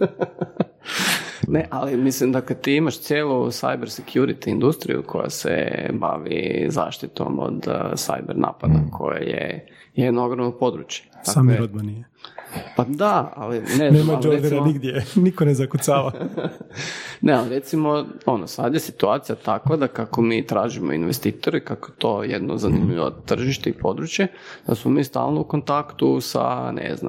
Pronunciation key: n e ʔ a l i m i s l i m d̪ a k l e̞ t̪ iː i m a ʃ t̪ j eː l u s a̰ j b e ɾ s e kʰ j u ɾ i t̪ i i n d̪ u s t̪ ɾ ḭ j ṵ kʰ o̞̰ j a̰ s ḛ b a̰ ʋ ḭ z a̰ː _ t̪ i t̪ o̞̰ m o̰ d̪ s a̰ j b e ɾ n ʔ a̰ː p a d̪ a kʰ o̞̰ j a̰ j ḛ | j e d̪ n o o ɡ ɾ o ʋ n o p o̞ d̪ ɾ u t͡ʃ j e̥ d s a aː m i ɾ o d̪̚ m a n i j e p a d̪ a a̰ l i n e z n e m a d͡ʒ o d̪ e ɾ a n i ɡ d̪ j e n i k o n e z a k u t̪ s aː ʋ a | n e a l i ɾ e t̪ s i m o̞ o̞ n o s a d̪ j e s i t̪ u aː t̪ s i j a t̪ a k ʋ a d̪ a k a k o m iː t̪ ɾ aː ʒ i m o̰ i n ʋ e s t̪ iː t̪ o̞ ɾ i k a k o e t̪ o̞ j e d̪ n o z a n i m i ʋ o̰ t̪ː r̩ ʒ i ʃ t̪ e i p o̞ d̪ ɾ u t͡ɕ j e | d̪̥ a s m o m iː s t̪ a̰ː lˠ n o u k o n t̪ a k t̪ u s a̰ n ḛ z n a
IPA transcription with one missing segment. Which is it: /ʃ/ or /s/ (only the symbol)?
ʃ